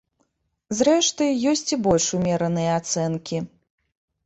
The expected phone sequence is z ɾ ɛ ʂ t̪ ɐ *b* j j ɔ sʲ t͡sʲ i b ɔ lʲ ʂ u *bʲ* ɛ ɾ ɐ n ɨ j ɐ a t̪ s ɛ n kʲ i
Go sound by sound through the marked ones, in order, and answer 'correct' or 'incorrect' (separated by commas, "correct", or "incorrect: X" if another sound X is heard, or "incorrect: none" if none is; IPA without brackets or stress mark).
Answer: incorrect: none, incorrect: mʲ